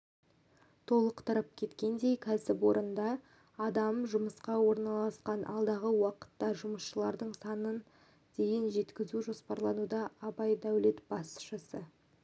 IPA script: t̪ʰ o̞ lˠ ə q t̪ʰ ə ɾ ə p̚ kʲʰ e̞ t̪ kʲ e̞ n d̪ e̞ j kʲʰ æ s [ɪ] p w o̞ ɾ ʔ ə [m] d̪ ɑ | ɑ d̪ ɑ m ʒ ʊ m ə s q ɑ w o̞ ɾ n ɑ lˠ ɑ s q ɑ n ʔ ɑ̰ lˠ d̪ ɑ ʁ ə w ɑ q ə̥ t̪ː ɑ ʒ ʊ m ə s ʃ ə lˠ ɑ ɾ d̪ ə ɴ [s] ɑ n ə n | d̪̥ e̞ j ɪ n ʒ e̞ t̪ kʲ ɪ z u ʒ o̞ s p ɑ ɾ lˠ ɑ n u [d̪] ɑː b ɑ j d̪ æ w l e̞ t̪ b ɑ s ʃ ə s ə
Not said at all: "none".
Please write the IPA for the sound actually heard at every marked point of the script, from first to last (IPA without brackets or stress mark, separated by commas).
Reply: ɪ, n, s, d̪